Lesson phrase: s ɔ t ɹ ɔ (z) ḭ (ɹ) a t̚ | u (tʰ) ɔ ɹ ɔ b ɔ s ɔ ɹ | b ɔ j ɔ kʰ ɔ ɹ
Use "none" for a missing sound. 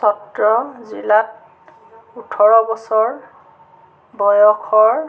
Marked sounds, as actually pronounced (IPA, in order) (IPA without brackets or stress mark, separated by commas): z, l, tʰ